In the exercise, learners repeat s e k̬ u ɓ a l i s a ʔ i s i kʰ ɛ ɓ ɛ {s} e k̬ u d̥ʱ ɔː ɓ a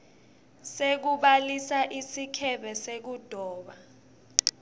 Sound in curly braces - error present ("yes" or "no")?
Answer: no